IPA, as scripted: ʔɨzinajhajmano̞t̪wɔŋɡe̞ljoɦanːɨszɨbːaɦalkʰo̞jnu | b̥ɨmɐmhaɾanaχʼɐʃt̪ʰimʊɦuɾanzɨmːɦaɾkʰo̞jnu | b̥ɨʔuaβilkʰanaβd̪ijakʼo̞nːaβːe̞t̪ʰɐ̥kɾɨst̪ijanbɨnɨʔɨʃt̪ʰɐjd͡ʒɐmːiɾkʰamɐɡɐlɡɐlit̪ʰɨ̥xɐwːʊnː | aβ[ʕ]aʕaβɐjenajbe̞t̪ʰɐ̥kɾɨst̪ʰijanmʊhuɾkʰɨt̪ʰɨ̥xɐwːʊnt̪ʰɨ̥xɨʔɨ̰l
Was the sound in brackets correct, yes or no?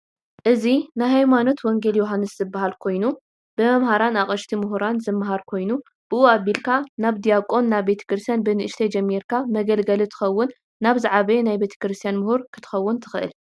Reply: no